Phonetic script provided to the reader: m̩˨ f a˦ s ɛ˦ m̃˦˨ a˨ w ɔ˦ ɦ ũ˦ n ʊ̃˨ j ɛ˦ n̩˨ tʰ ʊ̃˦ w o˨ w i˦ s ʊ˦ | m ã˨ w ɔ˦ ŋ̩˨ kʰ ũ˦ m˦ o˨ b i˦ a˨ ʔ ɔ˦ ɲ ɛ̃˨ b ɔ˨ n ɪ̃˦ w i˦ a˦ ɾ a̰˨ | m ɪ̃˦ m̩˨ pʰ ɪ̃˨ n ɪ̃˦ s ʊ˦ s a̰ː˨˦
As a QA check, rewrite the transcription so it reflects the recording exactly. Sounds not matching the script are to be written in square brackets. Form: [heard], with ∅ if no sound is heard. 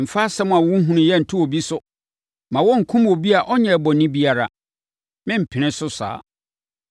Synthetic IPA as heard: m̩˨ f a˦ s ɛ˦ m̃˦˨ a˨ w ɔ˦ ɦ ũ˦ n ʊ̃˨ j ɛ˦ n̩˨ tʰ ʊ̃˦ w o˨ [b] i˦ s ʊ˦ | m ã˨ w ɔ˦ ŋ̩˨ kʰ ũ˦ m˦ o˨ b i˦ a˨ ʔ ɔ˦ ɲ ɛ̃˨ b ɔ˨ n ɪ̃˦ [b] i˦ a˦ ɾ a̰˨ | m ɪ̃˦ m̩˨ pʰ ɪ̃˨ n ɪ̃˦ s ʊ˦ s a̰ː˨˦